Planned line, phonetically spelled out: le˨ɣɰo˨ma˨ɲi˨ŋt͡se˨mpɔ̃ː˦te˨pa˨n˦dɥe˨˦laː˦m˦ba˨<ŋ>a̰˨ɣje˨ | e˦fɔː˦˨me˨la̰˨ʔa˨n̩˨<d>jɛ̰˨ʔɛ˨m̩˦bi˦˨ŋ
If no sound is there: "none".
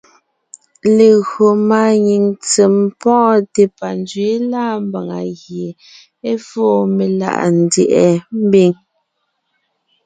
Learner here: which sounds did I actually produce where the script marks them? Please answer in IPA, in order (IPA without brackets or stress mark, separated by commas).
ŋ, d